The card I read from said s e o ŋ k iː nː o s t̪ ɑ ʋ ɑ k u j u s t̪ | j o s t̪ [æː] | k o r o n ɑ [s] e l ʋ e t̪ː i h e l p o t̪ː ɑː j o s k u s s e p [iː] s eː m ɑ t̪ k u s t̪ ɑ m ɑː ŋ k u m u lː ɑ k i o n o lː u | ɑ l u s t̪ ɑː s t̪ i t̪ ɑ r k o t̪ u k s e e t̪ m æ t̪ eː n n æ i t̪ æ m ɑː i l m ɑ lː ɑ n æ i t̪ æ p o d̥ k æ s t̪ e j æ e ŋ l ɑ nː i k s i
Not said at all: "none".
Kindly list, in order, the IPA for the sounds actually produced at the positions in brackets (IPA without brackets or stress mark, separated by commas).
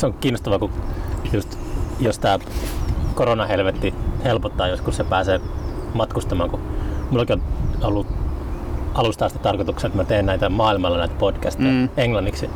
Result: æː, h, æː